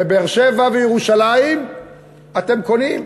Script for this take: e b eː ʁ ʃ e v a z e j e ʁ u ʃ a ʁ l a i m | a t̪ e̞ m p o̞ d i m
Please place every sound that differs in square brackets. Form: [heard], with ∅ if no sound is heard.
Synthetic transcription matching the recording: e b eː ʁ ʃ e v a [v] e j e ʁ u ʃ a [∅] l a i m | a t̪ e̞ m [k] o̞ [n] i m